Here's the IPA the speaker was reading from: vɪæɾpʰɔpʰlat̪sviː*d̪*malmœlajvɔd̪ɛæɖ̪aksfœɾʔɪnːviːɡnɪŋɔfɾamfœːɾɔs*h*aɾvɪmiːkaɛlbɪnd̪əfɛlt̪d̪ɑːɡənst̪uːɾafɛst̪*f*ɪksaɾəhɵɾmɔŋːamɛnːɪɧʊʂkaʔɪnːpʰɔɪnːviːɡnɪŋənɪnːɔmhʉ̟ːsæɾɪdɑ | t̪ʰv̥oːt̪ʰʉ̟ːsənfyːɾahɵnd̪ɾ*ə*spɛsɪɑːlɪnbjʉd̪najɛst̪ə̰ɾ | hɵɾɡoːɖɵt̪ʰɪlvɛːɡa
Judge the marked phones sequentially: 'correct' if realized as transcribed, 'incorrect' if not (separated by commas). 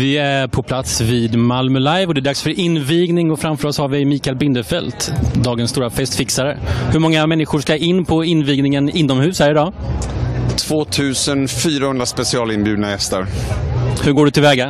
correct, correct, correct, incorrect